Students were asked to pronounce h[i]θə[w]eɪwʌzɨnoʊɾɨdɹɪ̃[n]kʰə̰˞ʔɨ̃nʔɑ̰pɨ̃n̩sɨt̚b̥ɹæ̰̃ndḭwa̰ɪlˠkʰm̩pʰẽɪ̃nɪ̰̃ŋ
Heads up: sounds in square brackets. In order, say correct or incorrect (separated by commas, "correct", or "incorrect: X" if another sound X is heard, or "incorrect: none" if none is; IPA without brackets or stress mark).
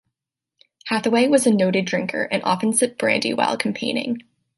incorrect: æ, correct, incorrect: ŋ